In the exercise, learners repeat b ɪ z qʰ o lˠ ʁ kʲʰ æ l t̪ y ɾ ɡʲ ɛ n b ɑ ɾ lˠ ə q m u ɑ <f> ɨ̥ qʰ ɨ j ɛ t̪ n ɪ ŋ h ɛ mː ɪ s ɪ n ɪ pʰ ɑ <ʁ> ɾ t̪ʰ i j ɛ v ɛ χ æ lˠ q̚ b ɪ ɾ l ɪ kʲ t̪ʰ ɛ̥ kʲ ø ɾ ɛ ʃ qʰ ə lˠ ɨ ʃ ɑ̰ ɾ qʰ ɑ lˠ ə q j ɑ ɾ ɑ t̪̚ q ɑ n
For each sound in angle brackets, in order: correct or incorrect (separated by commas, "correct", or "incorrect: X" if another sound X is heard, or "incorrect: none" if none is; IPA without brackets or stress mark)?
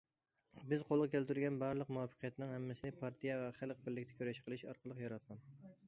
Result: correct, incorrect: none